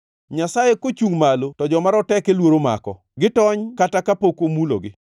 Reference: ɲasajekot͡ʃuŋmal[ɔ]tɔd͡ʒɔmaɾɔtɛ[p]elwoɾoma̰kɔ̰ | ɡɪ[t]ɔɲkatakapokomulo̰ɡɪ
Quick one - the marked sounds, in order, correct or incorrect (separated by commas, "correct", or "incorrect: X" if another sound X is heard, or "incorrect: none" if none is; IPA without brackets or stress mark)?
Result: incorrect: o, incorrect: k, correct